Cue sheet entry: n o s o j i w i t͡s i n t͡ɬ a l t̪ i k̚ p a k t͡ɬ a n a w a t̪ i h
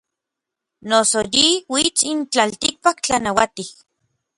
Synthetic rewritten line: n o s o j i w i t͡s i n t͡ɬ a l t̪ i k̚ p a k t͡ɬ a n a w a t̪ i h